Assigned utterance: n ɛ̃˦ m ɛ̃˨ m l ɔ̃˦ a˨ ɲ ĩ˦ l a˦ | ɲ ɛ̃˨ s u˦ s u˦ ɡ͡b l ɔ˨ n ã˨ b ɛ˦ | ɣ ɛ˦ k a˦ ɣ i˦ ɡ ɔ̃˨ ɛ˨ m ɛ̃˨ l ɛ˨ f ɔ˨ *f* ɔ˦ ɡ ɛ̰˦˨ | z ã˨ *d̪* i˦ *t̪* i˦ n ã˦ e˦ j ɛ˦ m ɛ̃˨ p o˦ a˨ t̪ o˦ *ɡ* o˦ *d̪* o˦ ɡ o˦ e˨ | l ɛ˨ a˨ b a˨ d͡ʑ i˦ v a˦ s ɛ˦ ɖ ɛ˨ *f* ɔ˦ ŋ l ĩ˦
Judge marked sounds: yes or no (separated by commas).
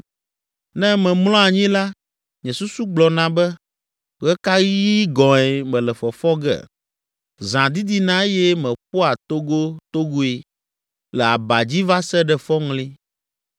yes, yes, no, yes, no, yes